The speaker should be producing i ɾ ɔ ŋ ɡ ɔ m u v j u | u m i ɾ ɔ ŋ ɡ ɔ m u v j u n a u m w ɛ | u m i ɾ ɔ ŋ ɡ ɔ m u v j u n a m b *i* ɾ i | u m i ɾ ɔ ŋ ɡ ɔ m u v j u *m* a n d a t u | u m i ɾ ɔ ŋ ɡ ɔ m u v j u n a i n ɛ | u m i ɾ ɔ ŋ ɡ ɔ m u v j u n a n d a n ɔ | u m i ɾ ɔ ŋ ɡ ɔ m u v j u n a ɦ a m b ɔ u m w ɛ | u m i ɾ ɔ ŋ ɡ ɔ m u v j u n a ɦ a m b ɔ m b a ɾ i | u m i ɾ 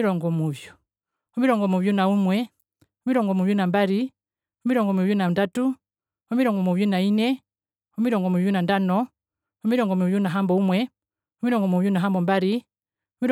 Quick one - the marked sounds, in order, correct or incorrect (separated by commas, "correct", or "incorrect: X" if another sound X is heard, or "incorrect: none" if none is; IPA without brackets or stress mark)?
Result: incorrect: a, incorrect: n